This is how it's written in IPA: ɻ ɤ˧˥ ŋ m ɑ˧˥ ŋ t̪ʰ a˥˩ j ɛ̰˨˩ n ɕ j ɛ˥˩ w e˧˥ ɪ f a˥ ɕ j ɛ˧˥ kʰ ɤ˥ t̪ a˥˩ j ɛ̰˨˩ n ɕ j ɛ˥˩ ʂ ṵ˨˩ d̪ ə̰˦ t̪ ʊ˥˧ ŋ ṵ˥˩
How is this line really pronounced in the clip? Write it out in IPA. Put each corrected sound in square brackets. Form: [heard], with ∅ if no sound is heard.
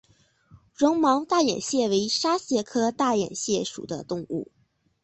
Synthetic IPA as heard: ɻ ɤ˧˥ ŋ m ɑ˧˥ ŋ [t̪] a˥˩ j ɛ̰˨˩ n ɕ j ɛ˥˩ w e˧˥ ɪ [ʂ] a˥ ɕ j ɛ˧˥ kʰ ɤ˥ t̪ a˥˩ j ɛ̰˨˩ n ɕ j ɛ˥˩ ʂ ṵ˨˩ d̪ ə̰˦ t̪ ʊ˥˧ ŋ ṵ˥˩

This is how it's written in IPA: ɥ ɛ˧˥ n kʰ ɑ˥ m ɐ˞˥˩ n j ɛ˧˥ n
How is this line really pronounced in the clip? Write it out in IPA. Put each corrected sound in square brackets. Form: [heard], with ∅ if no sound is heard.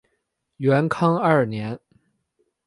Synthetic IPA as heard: ɥ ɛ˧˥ n kʰ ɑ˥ [ŋ] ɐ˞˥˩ n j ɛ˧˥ n

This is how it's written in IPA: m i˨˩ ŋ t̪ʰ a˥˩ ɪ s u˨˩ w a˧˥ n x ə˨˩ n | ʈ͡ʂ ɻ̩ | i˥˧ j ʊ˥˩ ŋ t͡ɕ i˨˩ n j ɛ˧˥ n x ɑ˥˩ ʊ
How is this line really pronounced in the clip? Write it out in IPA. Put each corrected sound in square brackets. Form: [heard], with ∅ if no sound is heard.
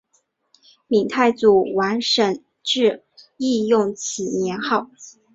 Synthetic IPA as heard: m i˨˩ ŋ t̪ʰ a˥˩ ɪ [t͡s] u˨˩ w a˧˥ n [ʂ] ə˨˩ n | ʈ͡ʂ ɻ̩ | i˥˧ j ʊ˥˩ ŋ [t͡ɕʰ] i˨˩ n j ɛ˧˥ n x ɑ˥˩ ʊ

